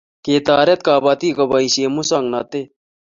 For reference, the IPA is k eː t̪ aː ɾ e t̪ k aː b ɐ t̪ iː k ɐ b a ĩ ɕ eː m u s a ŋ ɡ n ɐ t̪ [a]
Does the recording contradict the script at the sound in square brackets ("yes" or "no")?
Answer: yes